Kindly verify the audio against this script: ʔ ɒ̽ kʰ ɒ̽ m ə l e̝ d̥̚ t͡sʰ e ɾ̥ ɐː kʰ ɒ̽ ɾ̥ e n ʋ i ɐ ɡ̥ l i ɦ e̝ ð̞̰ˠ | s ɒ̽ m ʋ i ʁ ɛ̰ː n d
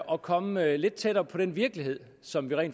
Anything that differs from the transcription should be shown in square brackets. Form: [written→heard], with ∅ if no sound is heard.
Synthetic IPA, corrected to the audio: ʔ ɒ̽ kʰ ɒ̽ m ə l e̝ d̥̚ t͡sʰ e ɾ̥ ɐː [kʰ→pʰ] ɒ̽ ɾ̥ e n ʋ i ɐ ɡ̥ l i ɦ e̝ ð̞̰ˠ | s ɒ̽ m ʋ i ʁ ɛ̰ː n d